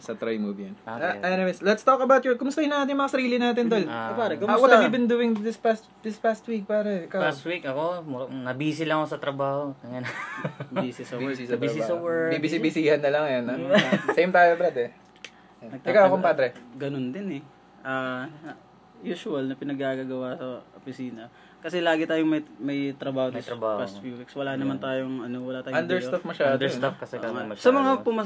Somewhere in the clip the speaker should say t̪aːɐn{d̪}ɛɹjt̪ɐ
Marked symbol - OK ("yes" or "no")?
yes